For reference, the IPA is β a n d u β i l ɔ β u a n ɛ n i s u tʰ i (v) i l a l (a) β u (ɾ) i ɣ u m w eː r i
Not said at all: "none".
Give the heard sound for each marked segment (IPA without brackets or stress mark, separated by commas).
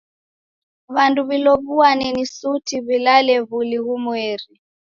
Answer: β, ɛ, l